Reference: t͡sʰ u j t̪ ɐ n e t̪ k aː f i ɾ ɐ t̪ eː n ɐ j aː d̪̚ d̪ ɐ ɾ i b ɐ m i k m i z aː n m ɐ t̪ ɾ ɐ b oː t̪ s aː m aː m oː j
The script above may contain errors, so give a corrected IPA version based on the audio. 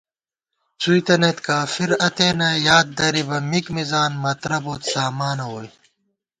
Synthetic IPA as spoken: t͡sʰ u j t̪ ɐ n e t̪ k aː f i ɾ ɐ t̪ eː n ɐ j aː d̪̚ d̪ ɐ ɾ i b ɐ m i k m i z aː n m ɐ t̪ ɾ ɐ b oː t̪ s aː m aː n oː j